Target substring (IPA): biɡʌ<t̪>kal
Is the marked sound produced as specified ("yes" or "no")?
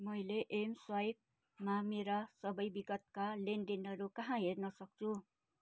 yes